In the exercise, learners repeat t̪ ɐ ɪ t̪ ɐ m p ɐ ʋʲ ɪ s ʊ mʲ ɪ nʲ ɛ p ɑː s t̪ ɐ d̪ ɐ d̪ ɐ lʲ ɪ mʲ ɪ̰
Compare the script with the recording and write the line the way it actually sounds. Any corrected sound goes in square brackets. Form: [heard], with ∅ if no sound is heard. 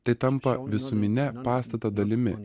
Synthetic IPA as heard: t̪ ɐ ɪ t̪ ɐ m p ɐ ʋʲ ɪ s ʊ mʲ ɪ nʲ ɛ p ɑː s t̪ ɐ [t̪] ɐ d̪ ɐ lʲ ɪ mʲ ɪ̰